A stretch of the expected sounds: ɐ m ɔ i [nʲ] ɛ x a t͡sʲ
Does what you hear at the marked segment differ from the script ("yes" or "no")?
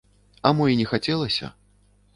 no